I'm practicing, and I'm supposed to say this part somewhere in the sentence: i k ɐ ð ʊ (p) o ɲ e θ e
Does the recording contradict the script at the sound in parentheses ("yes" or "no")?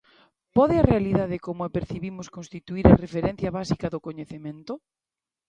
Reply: yes